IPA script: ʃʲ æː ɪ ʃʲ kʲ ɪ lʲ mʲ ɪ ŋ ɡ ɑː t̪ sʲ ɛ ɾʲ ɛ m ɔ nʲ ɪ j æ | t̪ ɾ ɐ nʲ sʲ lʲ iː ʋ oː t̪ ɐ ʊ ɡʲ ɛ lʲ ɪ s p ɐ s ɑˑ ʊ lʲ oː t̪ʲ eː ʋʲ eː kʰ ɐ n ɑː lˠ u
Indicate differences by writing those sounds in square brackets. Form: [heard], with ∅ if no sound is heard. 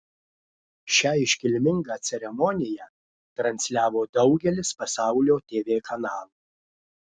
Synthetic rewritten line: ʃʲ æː ɪ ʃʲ kʲ ɪ lʲ mʲ ɪ ŋ ɡ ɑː t̪ sʲ ɛ ɾʲ ɛ m ɔ nʲ ɪ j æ | t̪ ɾ ɐ nʲ sʲ lʲ [æː] ʋ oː [d̪] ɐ ʊ ɡʲ ɛ lʲ ɪ s p ɐ s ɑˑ ʊ lʲ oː t̪ʲ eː ʋʲ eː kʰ ɐ n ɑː lˠ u